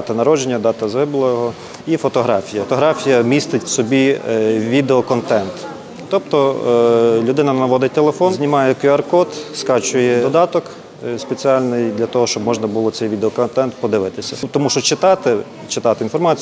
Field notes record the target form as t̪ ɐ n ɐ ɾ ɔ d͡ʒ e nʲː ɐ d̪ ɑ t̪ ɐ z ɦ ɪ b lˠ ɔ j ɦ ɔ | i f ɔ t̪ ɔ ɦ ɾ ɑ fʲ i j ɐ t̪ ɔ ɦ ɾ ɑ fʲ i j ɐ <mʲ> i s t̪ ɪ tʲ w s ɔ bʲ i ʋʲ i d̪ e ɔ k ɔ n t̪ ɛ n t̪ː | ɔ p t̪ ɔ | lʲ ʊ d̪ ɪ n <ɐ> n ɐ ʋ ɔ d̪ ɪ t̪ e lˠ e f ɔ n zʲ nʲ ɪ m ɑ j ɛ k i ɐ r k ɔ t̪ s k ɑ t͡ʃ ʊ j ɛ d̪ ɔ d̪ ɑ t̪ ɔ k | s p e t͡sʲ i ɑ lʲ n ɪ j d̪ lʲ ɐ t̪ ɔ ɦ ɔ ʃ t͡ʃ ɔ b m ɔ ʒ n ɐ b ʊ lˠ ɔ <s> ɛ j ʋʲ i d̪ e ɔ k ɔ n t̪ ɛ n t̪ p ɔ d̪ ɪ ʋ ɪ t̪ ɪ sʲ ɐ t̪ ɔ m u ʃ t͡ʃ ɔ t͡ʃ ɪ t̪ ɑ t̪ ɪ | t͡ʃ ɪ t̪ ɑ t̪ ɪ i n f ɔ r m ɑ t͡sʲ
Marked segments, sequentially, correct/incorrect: correct, correct, correct

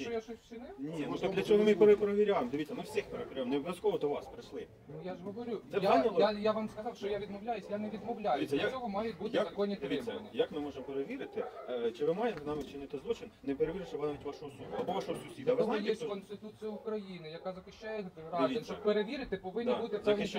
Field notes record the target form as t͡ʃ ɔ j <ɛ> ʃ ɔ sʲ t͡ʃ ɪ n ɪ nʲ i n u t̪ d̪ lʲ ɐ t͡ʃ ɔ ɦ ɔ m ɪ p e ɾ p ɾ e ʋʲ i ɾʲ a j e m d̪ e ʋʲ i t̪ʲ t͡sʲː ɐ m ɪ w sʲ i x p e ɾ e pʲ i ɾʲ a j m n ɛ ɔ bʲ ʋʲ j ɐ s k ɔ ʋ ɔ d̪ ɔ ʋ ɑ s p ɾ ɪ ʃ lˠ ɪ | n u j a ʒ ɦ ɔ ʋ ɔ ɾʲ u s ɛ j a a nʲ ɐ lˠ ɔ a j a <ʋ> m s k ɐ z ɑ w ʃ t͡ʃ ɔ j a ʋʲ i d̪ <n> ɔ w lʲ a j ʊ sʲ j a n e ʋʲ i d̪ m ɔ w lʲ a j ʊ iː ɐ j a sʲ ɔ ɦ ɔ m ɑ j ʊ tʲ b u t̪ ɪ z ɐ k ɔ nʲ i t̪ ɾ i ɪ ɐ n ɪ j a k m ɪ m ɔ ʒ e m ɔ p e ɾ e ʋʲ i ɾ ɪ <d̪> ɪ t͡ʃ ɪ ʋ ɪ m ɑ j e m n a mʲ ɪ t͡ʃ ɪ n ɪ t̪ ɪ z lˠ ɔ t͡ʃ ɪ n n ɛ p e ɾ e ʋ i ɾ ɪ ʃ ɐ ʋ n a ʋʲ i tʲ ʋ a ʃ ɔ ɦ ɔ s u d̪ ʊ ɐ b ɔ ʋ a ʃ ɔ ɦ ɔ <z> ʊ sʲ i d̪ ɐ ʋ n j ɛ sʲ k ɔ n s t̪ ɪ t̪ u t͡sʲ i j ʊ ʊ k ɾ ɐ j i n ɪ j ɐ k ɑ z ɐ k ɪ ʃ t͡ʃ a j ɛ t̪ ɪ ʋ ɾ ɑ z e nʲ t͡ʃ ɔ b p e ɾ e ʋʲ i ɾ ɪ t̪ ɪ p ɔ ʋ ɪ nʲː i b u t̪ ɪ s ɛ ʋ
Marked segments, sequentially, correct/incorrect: incorrect, correct, incorrect, incorrect, incorrect

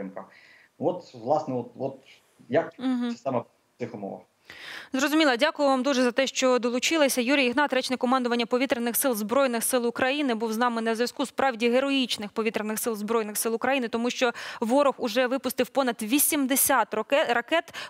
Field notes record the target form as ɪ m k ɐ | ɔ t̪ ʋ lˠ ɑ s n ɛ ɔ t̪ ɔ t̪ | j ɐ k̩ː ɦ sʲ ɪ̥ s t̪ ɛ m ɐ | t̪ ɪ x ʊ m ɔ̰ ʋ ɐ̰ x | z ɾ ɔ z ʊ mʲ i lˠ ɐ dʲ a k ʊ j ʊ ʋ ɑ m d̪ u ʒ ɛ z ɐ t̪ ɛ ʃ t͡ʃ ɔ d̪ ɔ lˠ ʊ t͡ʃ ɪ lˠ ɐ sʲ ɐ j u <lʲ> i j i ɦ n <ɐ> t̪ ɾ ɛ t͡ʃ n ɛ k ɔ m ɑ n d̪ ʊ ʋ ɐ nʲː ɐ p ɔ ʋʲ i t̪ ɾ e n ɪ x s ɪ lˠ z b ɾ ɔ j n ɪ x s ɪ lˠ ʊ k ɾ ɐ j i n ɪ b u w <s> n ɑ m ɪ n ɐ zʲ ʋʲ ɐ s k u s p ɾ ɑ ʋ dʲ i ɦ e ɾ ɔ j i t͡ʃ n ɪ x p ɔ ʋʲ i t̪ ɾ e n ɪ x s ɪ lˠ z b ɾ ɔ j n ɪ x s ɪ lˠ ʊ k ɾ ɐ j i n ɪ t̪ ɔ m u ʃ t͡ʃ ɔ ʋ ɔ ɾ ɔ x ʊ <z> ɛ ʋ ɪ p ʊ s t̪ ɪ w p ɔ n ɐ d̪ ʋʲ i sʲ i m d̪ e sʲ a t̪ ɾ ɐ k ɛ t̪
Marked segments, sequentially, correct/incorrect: incorrect, incorrect, incorrect, incorrect

